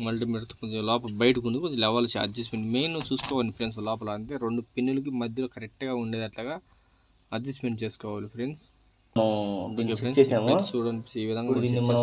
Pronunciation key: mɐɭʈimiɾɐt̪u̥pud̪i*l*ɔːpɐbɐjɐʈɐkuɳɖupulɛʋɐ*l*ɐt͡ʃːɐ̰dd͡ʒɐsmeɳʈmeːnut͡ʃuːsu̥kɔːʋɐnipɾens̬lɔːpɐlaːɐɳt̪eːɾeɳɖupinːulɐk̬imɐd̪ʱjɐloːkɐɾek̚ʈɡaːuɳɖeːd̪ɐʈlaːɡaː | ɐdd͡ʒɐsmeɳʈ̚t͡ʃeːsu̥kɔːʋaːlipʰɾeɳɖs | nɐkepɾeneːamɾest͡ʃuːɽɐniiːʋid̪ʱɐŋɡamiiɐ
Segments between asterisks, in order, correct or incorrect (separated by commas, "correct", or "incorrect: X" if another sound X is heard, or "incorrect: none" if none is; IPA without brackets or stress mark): correct, correct